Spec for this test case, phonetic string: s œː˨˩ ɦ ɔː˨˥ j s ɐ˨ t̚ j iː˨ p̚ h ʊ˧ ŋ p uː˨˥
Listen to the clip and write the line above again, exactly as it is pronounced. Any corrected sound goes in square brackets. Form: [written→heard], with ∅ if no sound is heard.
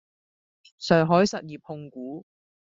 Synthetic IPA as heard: s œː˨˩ ɦ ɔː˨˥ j s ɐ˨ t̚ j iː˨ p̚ h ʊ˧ ŋ [p→k] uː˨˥